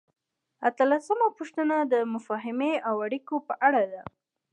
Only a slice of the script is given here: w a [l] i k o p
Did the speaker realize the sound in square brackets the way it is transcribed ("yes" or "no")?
no